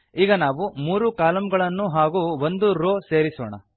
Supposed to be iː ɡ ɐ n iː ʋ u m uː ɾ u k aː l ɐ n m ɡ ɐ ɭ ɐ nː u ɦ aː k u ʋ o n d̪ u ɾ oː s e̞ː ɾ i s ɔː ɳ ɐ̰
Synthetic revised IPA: iː ɡ ɐ n aː ʋ u m uː ɾ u k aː l ɐ m ɡ ɐ ɭ ɐ nː u ɦ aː ɡ u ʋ o n d̪ u ɾ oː s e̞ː ɾ i s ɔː ɳ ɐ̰